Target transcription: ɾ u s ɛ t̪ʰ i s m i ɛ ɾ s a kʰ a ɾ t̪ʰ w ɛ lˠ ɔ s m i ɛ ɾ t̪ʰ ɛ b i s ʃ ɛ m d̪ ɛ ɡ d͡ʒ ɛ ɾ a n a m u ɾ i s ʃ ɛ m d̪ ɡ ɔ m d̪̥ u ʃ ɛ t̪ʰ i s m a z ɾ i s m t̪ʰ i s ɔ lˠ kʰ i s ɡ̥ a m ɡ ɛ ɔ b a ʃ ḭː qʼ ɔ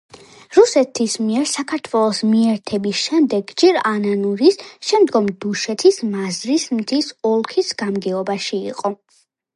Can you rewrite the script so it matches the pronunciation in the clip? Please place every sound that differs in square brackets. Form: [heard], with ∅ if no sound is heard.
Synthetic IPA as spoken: ɾ u s ɛ t̪ʰ i s m i ɛ ɾ s a kʰ a ɾ t̪ʰ w ɛ lˠ ɔ s m i ɛ ɾ t̪ʰ ɛ b i s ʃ ɛ m d̪ ɛ ɡ d͡ʒ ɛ ɾ a n a [n] u ɾ i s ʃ ɛ m d̪ ɡ ɔ m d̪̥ u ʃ ɛ t̪ʰ i s m a z ɾ i s m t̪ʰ i s ɔ lˠ kʰ i s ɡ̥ a m ɡ ɛ ɔ b a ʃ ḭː qʼ ɔ